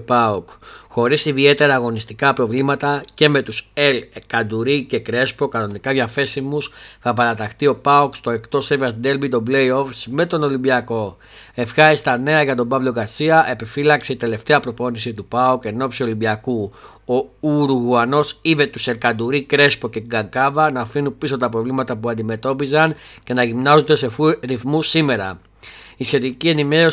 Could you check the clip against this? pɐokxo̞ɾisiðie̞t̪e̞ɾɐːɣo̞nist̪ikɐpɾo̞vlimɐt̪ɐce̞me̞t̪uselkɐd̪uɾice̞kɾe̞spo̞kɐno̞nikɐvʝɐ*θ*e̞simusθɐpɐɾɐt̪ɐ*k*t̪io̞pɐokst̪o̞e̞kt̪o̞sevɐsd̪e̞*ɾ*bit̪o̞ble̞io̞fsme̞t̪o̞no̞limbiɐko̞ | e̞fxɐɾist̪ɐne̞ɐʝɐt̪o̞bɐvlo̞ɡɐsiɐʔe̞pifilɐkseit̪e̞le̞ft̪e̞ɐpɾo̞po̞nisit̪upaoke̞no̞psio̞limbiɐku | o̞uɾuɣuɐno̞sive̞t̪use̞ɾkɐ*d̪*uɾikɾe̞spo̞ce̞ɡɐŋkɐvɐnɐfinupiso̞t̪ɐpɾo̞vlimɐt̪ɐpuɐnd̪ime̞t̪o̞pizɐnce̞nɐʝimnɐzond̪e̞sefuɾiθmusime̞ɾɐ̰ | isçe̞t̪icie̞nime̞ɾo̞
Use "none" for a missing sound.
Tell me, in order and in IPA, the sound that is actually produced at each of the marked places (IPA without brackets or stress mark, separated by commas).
f, x, l, d̪